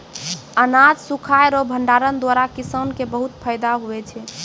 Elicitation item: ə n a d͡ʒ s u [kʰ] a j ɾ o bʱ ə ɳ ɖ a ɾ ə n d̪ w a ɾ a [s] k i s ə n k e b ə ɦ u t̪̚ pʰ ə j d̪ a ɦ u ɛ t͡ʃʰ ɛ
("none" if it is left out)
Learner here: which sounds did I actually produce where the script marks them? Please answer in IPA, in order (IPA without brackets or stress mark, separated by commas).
kʰ, none